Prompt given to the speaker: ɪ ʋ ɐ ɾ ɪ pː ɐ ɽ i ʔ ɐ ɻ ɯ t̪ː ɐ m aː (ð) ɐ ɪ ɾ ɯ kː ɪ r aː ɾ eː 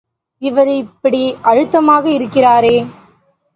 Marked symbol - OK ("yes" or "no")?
no